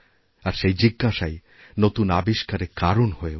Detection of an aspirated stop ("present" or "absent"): absent